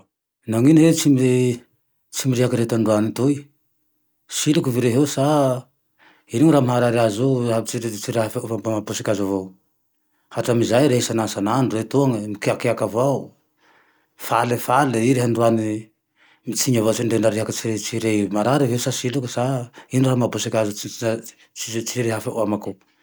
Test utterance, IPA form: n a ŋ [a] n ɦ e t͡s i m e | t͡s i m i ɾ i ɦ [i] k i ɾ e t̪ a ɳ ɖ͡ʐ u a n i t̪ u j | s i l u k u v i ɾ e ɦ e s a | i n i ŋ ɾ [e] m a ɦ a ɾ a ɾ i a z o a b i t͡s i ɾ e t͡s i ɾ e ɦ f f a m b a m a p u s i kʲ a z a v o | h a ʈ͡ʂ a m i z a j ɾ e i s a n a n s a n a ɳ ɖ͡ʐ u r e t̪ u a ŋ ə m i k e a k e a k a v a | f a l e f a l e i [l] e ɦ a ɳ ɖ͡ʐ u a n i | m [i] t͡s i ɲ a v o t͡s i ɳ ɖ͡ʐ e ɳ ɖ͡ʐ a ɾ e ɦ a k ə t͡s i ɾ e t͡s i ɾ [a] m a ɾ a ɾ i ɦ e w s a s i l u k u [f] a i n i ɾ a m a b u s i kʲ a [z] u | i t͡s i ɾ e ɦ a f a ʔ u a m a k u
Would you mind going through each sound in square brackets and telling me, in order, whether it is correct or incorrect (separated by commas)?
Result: incorrect, incorrect, incorrect, incorrect, correct, incorrect, incorrect, correct